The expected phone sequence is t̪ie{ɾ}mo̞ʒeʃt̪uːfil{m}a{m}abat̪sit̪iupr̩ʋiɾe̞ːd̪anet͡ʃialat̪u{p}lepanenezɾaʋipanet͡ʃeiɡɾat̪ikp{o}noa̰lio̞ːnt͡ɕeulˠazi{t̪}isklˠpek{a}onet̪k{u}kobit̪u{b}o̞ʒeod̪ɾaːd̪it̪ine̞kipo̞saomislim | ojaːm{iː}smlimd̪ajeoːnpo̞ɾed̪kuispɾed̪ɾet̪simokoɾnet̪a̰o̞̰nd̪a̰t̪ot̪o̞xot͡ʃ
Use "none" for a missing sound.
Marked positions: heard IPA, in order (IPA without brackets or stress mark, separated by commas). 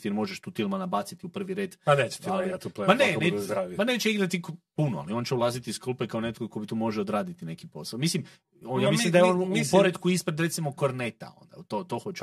ɾ, m, n, p, u, t̪, a, o, m, i